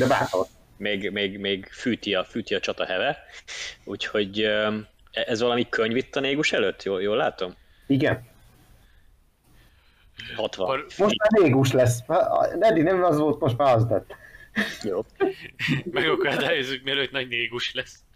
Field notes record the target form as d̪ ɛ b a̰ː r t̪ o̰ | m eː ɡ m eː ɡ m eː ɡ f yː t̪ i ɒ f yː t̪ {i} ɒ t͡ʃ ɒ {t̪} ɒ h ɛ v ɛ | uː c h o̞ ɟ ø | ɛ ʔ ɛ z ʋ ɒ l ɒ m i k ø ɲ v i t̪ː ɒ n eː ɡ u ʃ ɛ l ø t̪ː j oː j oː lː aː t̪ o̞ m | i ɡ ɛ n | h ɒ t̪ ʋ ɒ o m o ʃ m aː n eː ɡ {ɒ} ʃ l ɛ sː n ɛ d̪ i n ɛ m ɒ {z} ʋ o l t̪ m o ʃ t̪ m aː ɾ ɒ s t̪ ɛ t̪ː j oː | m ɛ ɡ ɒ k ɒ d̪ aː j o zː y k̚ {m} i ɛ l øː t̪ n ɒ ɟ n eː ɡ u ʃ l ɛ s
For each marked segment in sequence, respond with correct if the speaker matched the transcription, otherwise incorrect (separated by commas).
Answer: correct, correct, incorrect, correct, correct